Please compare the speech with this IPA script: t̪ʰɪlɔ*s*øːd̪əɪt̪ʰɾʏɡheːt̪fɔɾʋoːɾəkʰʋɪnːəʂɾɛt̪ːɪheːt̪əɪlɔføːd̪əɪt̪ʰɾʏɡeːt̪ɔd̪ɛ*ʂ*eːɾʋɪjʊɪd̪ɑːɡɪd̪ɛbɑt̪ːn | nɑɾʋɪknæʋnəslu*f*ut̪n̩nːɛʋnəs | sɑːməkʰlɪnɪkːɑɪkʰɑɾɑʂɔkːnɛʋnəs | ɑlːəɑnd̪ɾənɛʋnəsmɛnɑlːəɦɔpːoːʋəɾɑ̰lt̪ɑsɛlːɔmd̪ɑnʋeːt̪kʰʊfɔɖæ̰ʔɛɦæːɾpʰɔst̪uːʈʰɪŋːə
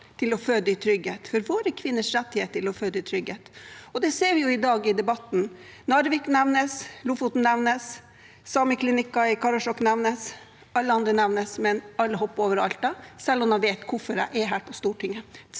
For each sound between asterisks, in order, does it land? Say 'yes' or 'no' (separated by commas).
no, no, yes